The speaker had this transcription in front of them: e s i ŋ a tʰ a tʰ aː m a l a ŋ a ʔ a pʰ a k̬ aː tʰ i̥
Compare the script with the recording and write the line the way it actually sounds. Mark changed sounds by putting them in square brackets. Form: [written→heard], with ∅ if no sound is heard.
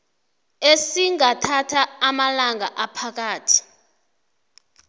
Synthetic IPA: e s i ŋ a tʰ a tʰ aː m a l a ŋ a ʔ a pʰ a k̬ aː tʰ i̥